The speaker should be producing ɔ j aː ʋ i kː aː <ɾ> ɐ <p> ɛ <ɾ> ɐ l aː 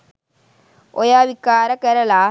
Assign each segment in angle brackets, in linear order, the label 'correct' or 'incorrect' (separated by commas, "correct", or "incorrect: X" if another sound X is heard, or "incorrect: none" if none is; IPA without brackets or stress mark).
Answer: correct, incorrect: k, correct